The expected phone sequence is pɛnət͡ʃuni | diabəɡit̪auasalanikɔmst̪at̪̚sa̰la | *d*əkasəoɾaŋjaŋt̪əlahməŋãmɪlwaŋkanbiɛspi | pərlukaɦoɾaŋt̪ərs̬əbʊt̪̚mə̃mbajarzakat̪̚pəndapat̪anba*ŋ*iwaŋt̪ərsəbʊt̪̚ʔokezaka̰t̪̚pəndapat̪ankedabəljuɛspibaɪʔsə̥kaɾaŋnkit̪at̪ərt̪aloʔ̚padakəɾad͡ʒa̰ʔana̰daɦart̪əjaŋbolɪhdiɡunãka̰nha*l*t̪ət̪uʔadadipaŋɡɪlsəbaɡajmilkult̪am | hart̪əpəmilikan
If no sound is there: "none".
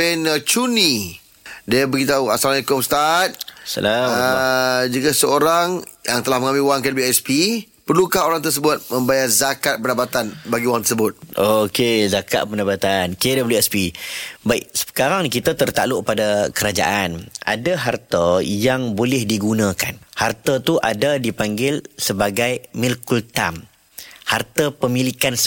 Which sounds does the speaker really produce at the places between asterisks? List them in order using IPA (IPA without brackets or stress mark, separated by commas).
d͡ʒ, ɡ, r